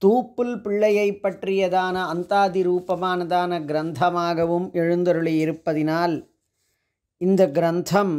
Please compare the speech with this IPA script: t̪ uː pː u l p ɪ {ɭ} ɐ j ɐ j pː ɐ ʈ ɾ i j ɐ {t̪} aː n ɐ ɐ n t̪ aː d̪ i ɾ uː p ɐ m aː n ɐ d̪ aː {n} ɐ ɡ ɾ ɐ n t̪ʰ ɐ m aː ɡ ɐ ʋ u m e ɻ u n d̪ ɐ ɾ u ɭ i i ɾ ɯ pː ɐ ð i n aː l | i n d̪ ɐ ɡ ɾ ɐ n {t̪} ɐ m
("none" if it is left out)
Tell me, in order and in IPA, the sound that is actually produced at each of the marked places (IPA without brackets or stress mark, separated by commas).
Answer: ɭː, d̪, n, t̪ʰ